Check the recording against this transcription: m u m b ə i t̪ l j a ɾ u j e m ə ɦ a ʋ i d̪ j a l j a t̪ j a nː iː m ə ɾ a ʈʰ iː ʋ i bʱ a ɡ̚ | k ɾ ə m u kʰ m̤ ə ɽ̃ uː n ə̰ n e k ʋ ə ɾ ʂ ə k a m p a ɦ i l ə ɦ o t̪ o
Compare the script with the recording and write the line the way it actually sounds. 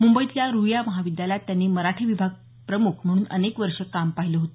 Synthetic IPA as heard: m u m b ə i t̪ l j a ɾ u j a m ə ɦ a ʋ i d̪ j a l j a t̪ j a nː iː m ə ɾ a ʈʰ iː ʋ i bʱ a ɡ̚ | p ɾ ə m u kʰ m̤ ə ɽ̃ uː n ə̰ n e k ʋ ə ɾ ʂ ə k a m p a ɦ i l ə ɦ o t̪ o

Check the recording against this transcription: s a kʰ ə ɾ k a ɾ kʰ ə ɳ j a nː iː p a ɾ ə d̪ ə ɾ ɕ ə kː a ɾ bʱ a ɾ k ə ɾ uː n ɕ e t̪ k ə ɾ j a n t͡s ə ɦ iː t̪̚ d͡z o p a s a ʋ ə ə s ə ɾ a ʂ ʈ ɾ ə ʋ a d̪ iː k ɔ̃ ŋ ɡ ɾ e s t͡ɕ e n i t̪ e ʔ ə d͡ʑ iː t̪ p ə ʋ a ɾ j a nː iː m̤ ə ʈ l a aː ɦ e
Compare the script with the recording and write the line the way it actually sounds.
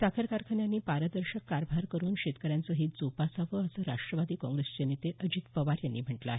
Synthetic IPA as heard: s a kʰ ə ɾ k a ɾ kʰ ə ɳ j a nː iː p a ɾ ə d̪ ə ɾ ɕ ə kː a ɾ bʱ a ɾ k ə ɾ uː n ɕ e t̪ k ə ɾ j a n t͡s ə ɦ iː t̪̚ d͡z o p a s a ʋ ə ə s ə ɾ a ʂ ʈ ɾ ə ʋ a d̪ iː k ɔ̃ ŋ ɡ ɾ e s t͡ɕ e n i t̪ e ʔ ə d͡ʑ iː t̪ p ə ʋ a ɾ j a nː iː m̤ ə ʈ l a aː ɦ e

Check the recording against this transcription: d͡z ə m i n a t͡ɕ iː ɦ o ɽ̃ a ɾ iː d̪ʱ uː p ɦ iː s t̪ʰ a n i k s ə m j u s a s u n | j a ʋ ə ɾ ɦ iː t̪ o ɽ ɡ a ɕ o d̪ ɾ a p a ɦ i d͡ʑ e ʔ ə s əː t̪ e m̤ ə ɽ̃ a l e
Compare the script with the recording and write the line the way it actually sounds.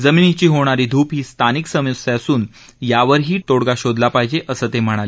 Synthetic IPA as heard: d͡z ə m i n i t͡ɕ iː ɦ o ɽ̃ a ɾ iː d̪ʱ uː p ɦ iː s t̪ʰ a n i k s ə m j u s a s uː n | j a ʋ ə ɾ ɦ iː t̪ o ɽ ɡ a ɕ o d̪ l a p a ɦ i d͡ʑ e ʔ ə s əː t̪ e m̤ ə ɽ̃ a l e

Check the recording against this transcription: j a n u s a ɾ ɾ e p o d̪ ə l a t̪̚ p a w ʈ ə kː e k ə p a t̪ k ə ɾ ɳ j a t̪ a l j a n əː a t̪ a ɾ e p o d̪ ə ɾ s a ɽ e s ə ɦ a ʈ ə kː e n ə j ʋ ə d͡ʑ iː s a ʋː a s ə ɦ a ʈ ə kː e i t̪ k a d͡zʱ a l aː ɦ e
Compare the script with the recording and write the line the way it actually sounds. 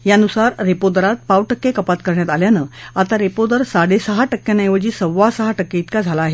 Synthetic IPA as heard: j a n u s a ɾ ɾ e p o d̪ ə ɾ a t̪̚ p a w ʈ ə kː e k ə p a t̪ k ə ɾ ɳ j a t̪ a l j a n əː a t̪ a ɾ e p o d̪ ə ɾ s a ɽ e s ə ɦ a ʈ ə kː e n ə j ʋ ə d͡ʑ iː s ə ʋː a s ə ɦ a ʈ ə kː e i t̪ k a d͡zʱ a l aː ɦ e

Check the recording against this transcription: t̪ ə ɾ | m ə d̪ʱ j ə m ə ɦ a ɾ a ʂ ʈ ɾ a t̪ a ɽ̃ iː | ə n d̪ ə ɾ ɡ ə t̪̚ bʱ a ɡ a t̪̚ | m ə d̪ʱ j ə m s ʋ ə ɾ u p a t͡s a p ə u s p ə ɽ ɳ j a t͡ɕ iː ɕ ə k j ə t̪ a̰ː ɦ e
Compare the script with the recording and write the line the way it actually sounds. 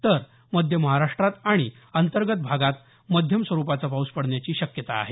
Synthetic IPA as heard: t̪ ə ɾ | m ə d̪ʱ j ə m ə ɦ a ɾ a ʂ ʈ ɾ a t̪ a ɽ̃ i | ə n t̪ ə ɾ ɡ ə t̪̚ bʱ a ɡ a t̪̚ | m ə d̪ʱ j ə m s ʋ ə ɾ u p a t͡s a p a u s p ə ɽ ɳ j a t͡ɕ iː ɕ ə k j ə t̪ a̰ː ɦ e

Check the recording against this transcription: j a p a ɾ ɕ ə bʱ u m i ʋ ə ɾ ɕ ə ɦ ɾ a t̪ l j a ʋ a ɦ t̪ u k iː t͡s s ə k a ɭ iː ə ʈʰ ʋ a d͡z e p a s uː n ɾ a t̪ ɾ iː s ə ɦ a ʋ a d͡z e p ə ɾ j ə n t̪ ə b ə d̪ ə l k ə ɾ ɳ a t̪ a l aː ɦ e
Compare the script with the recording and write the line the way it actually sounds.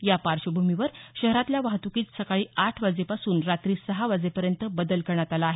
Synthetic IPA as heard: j a p a ɾ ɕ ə bʱ u m i ʋ ə ɾ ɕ ə ɦ ɾ a t̪ l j a ʋ a ɦ t̪ u k iː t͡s s ə k a ɭ iː a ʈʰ ʋ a d͡z e p a s uː n ɾ a t̪ ɾ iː s ə ɦ a ʋ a d͡z e p ə ɾ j ə n t̪ ə b ə d̪ ə l k ə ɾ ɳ a t̪ a l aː ɦ e

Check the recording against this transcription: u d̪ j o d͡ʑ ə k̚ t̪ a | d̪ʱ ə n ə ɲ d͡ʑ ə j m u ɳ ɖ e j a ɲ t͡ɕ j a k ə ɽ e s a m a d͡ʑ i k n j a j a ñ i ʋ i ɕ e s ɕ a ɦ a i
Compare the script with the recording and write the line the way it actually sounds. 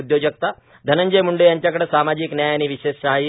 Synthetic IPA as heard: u d̪ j o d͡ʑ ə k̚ t̪ a | d̪ʱ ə n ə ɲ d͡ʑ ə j m u ɳ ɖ e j a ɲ t͡ɕ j a k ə ɽ e s a m a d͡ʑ i k n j a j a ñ i ʋ i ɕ e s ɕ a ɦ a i

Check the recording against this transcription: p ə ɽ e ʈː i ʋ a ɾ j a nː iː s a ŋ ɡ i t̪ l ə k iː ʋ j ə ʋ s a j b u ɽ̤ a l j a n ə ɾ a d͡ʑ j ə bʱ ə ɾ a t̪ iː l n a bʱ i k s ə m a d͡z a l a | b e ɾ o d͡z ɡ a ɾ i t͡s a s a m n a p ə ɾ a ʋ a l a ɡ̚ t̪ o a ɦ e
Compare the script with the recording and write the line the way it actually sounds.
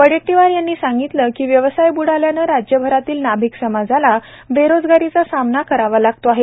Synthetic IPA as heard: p ə ɽ e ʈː i ʋ a ɾ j a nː iː s a ŋ ɡ i t̪ l ə k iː ʋ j ə ʋ s a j b u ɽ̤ a l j a n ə ɾ a d͡ʑ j ə bʱ ə ɾ a t̪ iː l n a bʱ i k s ə m a d͡z a l a | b e ɾ o d͡z ɡ a ɾ i t͡s a s a m n a k ə ɾ a ʋ a l a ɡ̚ t̪ o a ɦ e

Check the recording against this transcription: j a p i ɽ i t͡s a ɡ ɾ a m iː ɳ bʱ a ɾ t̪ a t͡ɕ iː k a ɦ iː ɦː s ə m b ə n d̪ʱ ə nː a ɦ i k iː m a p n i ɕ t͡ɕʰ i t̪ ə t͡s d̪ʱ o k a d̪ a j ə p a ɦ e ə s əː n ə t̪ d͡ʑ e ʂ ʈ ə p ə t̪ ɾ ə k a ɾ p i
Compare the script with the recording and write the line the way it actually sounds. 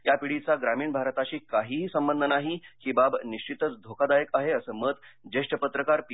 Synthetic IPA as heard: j a p i ɽ i t͡s a ɡ ɾ a m iː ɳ bʱ a ɾ t̪ a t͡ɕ iː k a ɦ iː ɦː s ə m b ə n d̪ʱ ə n a ɦ i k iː b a b n i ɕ t͡ɕ i t̪ ə t͡s d̪ʱ o k a d̪ a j ə k a ɦ e ə s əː m ə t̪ d͡ʑ e ʂ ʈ ə p ə t̪ ɾ ə k a ɾ p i

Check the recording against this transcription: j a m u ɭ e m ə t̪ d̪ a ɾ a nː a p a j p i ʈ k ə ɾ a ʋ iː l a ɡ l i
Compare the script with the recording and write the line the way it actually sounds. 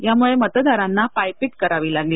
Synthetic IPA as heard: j a m u ɭ e m ə t̪ d̪ a ɾ a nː a p a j p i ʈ k ə ɾ a ʋ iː l a ɡ l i

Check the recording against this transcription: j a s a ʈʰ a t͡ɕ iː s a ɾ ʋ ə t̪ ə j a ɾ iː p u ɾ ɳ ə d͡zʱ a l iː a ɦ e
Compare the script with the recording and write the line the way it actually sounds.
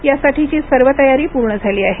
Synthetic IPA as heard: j a s a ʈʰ i t͡ɕ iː s ə ɾ ʋ ə t̪ ə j a ɾ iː p u ɾ ɳ ə d͡zʱ a l iː a ɦ e

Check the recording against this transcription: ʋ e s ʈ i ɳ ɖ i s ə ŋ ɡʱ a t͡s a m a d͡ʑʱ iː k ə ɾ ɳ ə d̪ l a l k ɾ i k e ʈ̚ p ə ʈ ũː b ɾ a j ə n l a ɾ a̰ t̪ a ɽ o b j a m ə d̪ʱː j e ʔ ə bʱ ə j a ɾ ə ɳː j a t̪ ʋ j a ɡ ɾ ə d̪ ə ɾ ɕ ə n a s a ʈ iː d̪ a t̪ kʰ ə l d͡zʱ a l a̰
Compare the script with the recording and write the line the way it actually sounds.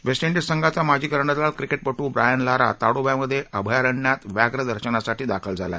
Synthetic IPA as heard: ʋ e s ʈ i ɳ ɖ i s ə ŋ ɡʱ a t͡s a m a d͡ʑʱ iː k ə ɾ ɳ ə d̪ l a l k ɾ i k e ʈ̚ p ə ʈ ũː b ɾ a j ə n l a ɾ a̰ t̪ a ɽ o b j a m ə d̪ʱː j e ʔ ə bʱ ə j a ɾ ə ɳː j a t̪ ʋ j a ɡ ɾ ə d̪ ə ɾ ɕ ə n a s a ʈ iː d̪ a kʰ ə l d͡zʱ a l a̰

